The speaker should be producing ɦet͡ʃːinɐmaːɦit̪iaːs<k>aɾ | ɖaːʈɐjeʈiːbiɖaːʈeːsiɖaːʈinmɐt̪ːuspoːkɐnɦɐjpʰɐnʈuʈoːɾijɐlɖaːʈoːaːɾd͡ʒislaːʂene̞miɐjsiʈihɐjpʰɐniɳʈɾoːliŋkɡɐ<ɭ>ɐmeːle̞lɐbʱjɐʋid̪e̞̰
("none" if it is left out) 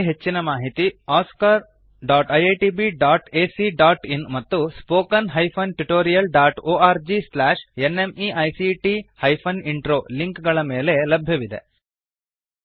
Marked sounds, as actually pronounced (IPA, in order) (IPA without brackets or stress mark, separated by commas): k, ɭ